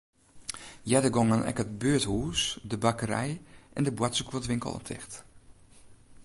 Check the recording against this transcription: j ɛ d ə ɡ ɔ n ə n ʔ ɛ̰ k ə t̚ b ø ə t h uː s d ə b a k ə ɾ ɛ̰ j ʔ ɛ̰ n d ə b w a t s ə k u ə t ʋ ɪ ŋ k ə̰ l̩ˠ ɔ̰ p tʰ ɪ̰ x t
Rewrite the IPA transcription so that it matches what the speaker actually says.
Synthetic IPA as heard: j ɛ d ə ɡ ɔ ŋ ə n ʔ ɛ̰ k ə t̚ b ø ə t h uː s d ə b a k ə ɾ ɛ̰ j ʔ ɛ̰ n d ə b w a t s ə k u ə t ʋ ɪ ŋ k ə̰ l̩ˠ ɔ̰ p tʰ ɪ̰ x t

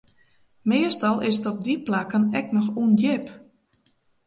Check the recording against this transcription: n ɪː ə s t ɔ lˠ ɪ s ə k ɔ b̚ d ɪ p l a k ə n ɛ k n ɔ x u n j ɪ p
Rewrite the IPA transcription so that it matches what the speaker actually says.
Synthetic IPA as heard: m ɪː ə s t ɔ lˠ ɪ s ə t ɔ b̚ d i p l a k ə n ɛ k n ɔ x u n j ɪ p

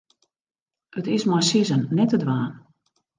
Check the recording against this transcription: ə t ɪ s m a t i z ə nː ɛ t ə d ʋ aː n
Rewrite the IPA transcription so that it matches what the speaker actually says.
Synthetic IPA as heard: ə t ɪ s m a s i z ə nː ɛ t ə d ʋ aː n

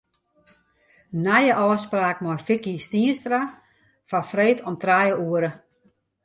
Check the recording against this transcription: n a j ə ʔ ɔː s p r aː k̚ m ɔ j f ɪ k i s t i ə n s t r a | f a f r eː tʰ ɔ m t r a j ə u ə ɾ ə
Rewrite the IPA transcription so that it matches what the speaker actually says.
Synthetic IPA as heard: n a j ə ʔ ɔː s p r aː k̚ m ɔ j f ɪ k i s t i ə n s t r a | f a f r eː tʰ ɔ m t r a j ə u ə ɾ ə

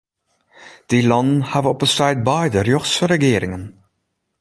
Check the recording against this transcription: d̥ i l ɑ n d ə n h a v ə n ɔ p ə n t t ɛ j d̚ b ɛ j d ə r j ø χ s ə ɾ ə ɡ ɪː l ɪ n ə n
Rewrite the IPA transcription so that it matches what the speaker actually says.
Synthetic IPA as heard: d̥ i l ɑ n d ə n h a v ə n ɔ p ə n s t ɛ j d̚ b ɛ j d ə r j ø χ s ə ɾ ə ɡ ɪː ɾ ɪ ŋ ə n

